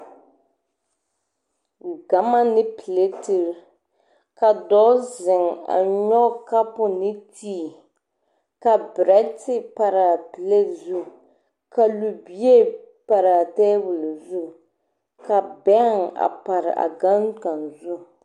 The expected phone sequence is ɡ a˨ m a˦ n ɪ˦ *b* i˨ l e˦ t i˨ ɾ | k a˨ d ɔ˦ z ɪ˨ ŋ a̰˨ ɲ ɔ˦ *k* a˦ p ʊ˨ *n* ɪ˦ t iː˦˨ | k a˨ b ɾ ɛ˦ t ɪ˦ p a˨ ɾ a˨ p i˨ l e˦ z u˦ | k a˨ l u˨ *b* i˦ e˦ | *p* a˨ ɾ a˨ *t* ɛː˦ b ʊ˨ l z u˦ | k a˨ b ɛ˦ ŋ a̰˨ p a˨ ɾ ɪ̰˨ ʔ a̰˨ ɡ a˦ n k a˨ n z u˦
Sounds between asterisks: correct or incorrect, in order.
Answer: incorrect, correct, correct, correct, correct, correct

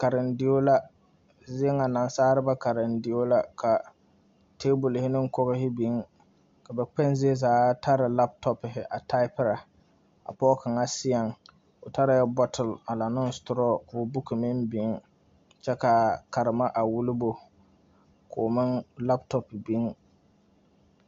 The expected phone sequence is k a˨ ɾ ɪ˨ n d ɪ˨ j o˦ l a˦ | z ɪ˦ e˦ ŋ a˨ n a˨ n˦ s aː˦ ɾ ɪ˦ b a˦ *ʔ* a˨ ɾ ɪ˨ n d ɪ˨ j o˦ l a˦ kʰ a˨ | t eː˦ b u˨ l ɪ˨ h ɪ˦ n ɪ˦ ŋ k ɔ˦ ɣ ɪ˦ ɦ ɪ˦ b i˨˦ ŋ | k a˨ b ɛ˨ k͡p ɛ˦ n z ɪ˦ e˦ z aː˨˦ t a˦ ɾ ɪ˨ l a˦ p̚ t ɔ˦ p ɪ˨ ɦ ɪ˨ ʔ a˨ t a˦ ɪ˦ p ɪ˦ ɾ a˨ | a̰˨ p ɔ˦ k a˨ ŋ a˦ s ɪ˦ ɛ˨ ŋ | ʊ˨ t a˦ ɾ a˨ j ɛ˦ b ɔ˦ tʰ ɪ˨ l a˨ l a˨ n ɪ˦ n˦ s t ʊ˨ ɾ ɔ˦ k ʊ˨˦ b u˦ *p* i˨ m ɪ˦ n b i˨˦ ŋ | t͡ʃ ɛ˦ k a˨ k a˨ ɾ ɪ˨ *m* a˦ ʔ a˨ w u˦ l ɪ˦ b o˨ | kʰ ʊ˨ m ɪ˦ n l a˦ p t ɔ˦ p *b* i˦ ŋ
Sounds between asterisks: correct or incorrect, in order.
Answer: incorrect, incorrect, correct, correct

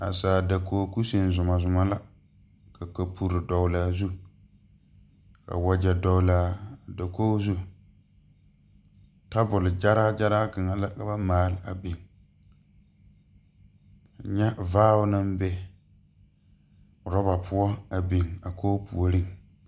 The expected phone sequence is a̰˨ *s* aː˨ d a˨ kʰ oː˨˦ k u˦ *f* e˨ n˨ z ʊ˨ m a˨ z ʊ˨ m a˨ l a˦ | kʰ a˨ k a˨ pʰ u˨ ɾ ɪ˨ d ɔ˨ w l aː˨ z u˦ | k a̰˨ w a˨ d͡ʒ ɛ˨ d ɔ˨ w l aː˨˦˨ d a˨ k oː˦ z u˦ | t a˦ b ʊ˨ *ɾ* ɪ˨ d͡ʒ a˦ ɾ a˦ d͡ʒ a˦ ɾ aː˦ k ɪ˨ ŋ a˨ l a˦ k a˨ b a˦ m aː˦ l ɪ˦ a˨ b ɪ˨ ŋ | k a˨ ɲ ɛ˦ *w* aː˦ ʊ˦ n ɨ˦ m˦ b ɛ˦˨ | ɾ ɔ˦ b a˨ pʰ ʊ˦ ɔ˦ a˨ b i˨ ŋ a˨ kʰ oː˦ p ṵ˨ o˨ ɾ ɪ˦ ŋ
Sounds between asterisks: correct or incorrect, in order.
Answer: correct, incorrect, incorrect, incorrect

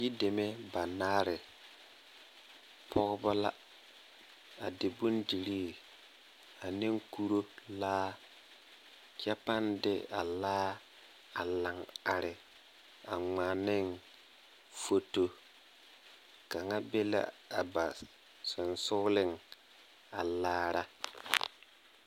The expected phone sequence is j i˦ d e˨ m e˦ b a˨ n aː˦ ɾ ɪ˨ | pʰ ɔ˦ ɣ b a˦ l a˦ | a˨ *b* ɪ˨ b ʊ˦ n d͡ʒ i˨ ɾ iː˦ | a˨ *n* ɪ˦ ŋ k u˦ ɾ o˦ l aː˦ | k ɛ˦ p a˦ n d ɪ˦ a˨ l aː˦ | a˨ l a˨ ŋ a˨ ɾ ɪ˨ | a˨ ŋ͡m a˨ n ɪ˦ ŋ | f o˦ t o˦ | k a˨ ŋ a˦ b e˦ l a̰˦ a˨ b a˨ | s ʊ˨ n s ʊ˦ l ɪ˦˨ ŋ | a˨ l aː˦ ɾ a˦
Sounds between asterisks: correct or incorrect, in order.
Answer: incorrect, correct

